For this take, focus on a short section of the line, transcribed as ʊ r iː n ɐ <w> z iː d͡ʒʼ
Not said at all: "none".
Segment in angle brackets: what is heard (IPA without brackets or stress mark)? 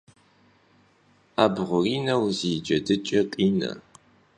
w